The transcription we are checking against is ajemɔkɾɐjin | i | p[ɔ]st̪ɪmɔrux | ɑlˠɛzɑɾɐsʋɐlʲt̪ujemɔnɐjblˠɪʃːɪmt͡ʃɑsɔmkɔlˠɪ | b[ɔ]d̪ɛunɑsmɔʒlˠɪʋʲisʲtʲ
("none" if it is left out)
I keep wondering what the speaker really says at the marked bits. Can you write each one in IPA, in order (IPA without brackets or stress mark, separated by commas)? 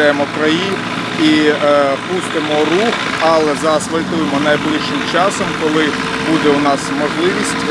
u, u